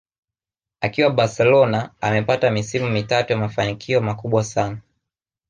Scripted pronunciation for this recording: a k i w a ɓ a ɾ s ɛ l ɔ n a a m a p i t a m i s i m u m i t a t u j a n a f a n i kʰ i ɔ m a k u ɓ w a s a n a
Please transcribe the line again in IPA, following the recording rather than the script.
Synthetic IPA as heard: a k i w a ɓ a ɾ s ɛ l ɔ n a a m ɛ p a t a m i s i m u m i t a t u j a m a f a n i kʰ i ɔ m a k u ɓ w a s a n a